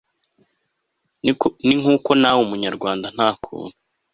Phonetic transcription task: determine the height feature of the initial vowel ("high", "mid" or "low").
high